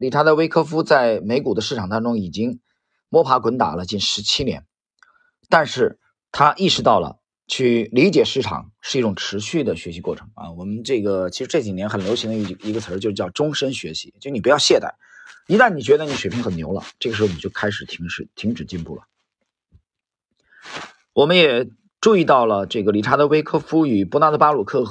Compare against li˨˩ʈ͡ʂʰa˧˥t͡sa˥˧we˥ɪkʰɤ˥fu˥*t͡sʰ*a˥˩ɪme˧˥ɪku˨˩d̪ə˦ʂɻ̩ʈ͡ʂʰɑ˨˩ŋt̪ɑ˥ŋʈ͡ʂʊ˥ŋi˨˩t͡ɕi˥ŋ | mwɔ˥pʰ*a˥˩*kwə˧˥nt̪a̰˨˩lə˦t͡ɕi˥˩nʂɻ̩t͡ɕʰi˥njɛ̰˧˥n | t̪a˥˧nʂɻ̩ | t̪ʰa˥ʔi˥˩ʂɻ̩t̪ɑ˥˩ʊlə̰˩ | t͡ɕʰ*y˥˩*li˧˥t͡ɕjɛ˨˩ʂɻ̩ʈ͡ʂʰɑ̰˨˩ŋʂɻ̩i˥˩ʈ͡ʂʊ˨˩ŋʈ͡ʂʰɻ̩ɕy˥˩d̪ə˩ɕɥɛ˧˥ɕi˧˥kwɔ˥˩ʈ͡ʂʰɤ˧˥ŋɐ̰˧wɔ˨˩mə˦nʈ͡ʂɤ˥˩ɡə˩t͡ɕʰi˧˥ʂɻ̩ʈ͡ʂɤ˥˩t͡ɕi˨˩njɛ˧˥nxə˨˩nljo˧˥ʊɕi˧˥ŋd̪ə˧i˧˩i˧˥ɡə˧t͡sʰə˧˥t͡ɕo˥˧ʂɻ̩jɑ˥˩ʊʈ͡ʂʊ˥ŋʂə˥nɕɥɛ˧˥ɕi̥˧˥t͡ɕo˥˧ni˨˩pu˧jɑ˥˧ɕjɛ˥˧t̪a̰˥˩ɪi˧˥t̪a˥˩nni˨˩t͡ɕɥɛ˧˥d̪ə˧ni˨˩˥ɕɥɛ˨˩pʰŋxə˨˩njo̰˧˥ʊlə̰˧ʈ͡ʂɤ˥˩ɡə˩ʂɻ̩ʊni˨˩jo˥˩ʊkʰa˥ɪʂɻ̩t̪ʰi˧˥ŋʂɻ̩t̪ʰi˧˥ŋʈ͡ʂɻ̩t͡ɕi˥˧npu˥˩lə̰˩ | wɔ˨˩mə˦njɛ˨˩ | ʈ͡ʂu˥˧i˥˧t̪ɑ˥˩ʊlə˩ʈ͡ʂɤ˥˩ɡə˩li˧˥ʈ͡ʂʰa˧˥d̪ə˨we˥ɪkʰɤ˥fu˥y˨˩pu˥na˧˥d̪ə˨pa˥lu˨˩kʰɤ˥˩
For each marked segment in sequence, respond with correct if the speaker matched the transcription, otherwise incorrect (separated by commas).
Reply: incorrect, incorrect, correct